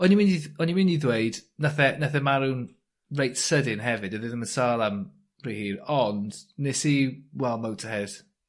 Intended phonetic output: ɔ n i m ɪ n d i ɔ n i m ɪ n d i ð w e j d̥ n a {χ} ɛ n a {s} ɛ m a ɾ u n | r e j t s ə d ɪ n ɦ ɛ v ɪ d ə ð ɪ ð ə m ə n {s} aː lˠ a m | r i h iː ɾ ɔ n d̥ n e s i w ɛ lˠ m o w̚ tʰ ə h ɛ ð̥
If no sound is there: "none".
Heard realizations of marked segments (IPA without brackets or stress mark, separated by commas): θ, θ, s